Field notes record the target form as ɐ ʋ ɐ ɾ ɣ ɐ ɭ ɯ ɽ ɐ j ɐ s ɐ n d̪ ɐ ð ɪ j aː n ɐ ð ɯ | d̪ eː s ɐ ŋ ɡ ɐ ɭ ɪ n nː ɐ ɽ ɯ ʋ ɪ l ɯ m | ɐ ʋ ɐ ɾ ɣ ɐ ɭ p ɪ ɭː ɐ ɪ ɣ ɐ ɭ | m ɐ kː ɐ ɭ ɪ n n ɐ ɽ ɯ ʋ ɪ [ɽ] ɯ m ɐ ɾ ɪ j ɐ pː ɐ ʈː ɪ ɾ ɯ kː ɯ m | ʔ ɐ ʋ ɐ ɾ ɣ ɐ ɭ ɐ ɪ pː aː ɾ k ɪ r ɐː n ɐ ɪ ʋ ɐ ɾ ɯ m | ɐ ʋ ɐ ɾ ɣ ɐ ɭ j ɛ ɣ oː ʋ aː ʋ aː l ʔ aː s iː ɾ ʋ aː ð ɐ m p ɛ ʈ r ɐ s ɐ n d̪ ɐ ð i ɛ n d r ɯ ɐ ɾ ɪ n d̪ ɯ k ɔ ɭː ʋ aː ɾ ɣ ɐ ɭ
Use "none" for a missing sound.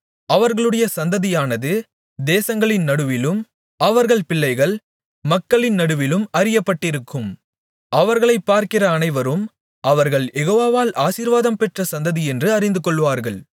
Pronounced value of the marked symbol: l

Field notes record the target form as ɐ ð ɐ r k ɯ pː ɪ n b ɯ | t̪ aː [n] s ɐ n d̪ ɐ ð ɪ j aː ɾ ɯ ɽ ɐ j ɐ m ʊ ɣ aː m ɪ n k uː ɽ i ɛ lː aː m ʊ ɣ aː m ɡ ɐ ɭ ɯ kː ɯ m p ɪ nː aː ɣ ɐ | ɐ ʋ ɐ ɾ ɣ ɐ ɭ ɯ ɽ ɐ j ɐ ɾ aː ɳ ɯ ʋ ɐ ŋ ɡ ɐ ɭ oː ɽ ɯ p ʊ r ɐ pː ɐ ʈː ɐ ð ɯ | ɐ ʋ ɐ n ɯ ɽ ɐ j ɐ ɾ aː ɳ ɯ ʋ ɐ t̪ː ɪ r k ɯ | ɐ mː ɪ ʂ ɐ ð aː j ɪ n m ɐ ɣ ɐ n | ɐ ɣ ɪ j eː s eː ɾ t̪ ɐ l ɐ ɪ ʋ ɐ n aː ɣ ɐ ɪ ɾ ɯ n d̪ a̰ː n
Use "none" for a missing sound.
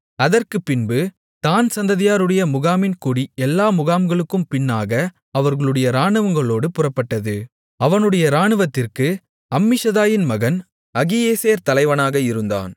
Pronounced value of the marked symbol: n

